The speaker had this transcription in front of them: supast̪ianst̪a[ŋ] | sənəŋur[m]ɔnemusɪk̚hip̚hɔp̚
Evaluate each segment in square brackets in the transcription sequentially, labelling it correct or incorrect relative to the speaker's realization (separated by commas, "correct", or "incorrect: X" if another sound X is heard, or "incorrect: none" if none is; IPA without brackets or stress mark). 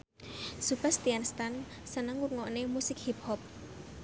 incorrect: n, incorrect: ŋ